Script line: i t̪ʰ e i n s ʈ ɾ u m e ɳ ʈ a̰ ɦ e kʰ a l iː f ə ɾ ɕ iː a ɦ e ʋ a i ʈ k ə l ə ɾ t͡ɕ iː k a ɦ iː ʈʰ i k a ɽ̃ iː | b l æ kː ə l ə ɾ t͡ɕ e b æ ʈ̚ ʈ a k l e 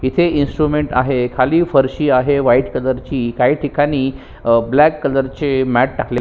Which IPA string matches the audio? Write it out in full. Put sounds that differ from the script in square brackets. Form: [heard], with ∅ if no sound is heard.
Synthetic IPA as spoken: i t̪ʰ e i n s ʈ ɾ u m e ɳ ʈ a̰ ɦ e kʰ a l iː f ə ɾ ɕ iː a ɦ e ʋ a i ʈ k ə l ə ɾ t͡ɕ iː k a ɦ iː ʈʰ i k a ɽ̃ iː | b l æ kː ə l ə ɾ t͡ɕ e [m] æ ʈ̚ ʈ a k l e

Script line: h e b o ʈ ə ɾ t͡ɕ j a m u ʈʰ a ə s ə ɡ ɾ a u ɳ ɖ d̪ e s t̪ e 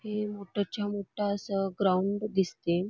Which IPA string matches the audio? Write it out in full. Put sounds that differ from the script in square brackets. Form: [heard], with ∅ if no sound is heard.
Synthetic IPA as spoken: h e [m] o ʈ ə ɾ t͡ɕ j a m [o] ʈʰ a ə s ə ɡ ɾ a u ɳ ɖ d̪ [i] s t̪ e

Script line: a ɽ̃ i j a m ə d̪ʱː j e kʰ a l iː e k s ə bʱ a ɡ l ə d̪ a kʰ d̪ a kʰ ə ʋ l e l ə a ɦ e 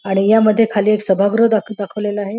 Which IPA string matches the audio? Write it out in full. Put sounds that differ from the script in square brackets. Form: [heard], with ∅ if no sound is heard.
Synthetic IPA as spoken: a ɽ̃ i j a m ə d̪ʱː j e kʰ a l iː e k s ə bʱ a ɡ [ɾ] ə d̪ a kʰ d̪ a kʰ ə ʋ l e l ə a ɦ e

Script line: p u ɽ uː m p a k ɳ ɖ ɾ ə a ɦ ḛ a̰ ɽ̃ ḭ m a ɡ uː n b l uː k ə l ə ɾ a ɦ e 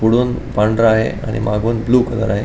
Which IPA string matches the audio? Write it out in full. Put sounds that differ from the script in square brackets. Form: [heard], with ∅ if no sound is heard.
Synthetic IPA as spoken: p u ɽ uː [n] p a [∅] ɳ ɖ ɾ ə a ɦ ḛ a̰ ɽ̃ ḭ m a ɡ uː n b l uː k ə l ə ɾ a ɦ e

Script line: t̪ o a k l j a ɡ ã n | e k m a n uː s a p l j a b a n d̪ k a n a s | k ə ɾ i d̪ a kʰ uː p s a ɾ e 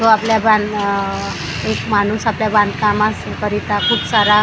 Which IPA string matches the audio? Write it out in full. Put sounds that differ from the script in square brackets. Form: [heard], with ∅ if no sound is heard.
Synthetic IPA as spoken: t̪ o a [p] l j a [b] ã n | e k m a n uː s a p l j a b a n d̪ k a [m] a s | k ə ɾ i [t̪] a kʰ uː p s a ɾ [a]

